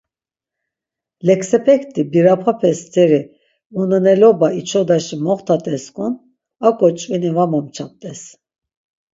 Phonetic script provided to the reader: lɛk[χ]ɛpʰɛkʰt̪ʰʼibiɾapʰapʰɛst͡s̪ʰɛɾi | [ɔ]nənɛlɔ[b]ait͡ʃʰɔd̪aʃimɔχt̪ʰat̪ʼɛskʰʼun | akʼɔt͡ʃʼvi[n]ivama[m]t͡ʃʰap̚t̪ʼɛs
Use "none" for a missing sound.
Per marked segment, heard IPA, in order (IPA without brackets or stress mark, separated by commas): s, u, b, n, m